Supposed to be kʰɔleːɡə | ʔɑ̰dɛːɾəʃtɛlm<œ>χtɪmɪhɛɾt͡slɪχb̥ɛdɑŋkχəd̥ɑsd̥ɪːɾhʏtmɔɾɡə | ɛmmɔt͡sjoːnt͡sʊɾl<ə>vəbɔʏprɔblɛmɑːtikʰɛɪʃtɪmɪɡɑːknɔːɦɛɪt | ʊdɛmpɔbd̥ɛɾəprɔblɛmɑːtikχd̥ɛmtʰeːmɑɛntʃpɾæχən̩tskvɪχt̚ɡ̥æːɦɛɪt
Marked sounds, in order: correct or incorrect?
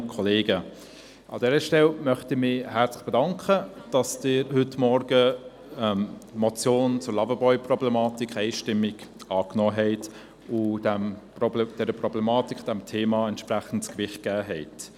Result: correct, incorrect: ɑ

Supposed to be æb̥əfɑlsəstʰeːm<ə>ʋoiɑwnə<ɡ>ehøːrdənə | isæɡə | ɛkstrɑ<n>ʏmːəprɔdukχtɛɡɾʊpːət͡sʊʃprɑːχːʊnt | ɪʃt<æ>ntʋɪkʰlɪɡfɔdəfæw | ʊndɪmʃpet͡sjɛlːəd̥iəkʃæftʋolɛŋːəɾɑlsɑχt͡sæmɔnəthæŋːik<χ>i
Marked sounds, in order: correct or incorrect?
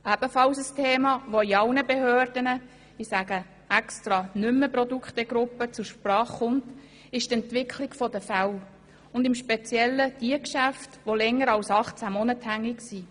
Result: incorrect: ɑ, incorrect: b, correct, incorrect: ɛ, incorrect: s

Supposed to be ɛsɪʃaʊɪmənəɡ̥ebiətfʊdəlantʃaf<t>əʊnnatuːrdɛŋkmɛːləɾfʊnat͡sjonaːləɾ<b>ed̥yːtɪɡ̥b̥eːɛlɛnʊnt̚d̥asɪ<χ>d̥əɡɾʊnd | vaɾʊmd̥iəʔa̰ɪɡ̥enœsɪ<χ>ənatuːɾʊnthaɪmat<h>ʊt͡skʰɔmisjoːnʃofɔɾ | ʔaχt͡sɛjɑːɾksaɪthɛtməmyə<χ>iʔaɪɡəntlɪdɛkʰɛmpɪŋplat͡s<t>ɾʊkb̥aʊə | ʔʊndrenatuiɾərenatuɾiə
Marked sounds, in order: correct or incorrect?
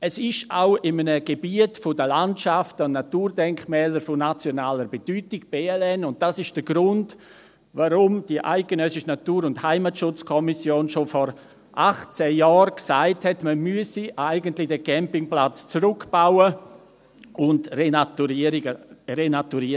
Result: correct, correct, incorrect: ʃ, incorrect: ʃ, incorrect: ʃ, incorrect: s, incorrect: t͡s

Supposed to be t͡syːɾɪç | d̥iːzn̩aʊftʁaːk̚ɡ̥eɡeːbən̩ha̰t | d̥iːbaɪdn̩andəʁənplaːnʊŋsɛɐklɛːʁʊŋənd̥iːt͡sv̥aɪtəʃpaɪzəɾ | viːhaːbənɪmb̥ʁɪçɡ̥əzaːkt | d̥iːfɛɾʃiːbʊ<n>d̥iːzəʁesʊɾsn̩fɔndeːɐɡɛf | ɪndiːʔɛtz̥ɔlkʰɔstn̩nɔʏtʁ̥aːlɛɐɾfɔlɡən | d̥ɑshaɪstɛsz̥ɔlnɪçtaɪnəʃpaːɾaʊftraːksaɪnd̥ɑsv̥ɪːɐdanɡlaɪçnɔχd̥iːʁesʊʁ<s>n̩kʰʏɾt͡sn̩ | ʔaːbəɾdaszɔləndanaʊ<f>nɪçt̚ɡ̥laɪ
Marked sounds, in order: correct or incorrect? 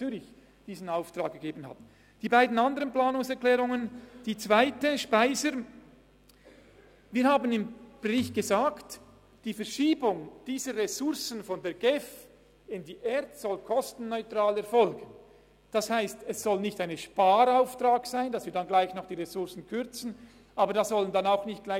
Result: incorrect: ŋ, correct, incorrect: x

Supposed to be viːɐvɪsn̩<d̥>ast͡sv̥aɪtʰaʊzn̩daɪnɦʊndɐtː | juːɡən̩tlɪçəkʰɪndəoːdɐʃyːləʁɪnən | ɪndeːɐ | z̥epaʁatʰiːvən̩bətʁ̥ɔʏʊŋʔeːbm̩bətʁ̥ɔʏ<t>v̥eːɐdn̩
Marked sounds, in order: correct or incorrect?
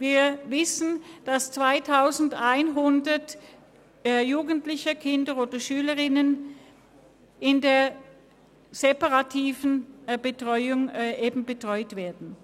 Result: correct, correct

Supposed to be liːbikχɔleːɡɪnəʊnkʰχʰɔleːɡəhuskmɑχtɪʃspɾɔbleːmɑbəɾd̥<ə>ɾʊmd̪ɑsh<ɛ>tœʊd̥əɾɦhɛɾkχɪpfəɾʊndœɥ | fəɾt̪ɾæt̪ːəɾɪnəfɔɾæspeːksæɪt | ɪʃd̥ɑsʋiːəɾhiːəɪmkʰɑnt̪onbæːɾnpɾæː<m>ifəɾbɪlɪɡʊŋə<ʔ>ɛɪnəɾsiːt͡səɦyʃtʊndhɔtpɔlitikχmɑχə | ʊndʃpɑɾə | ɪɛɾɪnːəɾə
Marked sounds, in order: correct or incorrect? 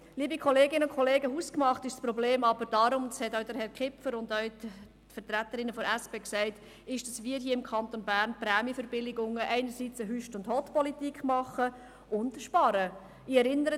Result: incorrect: ɑ, correct, correct, correct

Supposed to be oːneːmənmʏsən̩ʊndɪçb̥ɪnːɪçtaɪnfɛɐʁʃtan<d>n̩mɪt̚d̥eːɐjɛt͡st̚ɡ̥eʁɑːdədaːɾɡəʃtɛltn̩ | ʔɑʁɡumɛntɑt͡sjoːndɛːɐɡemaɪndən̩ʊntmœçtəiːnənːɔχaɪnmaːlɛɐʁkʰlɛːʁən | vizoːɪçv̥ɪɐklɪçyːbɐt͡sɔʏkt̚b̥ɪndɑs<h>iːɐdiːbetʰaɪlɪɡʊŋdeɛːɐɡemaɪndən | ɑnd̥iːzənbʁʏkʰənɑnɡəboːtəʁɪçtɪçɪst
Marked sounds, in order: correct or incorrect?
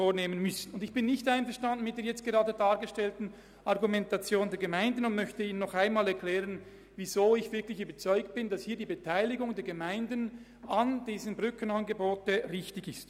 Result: correct, correct

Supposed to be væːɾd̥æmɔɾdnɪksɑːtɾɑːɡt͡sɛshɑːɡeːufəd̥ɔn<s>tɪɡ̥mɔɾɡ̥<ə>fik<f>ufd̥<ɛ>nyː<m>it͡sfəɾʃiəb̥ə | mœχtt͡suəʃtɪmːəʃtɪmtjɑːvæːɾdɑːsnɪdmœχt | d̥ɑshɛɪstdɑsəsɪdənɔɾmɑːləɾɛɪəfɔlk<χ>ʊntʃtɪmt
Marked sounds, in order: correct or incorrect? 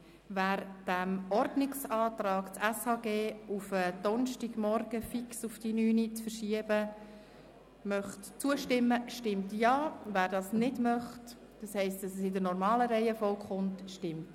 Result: incorrect: ʃ, correct, incorrect: s, incorrect: i, incorrect: n, correct

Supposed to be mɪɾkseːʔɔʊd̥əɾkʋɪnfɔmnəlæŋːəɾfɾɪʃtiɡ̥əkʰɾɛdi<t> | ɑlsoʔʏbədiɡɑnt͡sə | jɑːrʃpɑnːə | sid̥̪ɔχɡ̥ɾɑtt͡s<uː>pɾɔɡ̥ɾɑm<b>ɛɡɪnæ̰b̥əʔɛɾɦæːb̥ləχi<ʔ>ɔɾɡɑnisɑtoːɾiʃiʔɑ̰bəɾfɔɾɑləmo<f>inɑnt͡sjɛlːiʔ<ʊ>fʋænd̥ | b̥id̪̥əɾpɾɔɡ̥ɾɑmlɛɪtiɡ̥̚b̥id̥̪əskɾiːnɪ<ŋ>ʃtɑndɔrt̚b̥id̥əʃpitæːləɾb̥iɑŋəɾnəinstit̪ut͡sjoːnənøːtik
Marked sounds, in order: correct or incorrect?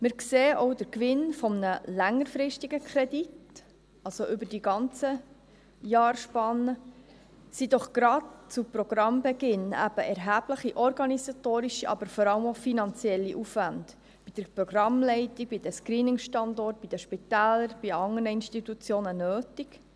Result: correct, incorrect: u, correct, correct, correct, incorrect: u, correct

